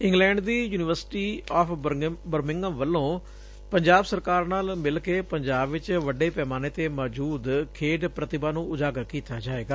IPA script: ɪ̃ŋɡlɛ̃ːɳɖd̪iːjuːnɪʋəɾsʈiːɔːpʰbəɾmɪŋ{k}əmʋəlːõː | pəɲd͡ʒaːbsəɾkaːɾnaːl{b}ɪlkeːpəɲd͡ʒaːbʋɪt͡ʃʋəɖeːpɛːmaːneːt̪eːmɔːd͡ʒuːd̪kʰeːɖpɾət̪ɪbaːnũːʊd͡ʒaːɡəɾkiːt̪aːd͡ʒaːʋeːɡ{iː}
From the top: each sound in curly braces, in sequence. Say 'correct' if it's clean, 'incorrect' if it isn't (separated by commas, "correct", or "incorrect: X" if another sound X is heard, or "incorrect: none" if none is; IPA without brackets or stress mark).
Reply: incorrect: ɡ, incorrect: m, incorrect: aː